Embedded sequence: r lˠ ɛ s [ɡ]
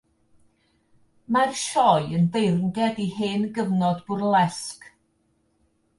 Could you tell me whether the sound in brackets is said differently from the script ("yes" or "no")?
yes